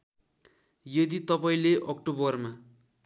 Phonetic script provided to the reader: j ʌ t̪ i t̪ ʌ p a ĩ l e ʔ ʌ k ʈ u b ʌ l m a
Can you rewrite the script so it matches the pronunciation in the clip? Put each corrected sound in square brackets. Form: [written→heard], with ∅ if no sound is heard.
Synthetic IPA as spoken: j ʌ [t̪→d̪] i t̪ ʌ p a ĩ l e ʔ ʌ k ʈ [u→o] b ʌ [l→r] m a